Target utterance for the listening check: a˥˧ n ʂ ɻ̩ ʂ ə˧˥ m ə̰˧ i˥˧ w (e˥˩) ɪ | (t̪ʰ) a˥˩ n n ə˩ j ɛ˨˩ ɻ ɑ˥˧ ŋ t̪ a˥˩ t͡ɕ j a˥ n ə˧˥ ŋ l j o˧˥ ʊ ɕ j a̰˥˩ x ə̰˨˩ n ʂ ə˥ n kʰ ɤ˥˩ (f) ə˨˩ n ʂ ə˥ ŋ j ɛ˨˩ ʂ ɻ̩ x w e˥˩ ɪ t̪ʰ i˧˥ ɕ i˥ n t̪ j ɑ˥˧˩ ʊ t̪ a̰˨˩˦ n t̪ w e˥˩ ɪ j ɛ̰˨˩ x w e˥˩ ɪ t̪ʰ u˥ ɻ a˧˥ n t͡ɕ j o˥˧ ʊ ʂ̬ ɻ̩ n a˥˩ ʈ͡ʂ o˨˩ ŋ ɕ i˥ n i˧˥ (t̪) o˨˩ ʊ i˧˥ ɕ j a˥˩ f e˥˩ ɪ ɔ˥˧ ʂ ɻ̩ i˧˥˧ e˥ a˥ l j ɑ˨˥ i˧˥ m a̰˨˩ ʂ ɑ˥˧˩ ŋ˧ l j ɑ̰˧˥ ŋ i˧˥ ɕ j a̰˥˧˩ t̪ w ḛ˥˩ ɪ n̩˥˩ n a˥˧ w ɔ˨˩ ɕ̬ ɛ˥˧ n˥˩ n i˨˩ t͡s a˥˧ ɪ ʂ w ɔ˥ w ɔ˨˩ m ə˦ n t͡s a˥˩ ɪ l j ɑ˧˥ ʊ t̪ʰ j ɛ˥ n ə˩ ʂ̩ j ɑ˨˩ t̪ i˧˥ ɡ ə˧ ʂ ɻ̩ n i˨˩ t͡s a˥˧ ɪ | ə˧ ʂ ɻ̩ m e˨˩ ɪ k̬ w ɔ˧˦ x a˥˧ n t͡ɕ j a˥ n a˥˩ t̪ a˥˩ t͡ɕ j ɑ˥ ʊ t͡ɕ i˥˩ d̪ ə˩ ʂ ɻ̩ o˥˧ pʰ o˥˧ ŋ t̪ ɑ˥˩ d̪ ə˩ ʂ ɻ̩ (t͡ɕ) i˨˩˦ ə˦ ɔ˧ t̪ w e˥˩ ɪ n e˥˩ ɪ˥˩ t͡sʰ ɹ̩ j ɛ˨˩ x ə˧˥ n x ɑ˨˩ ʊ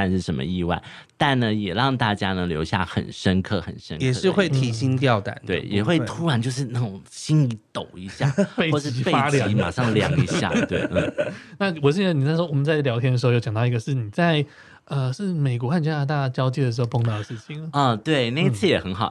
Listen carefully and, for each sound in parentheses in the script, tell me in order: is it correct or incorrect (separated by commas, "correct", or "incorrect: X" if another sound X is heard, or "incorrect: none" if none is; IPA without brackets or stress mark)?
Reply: incorrect: a˥˩, incorrect: t̪, incorrect: x, correct, incorrect: t͡ɕʰ